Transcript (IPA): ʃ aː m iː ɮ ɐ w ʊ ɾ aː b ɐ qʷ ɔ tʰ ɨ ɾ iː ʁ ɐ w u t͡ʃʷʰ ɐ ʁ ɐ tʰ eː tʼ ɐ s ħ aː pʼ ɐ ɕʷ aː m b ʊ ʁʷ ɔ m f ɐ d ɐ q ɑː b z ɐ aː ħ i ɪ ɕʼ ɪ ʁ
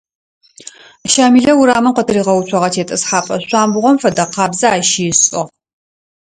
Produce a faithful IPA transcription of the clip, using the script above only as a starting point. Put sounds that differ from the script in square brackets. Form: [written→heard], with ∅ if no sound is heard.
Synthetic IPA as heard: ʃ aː m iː ɮ ɐ w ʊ ɾ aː [b→m] ɐ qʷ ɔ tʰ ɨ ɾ iː ʁ ɐ w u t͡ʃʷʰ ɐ ʁ ɐ tʰ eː tʼ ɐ s ħ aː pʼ ɐ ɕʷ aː m b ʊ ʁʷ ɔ m f ɐ d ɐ q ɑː b z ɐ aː [ħ→ʃ] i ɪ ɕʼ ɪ ʁ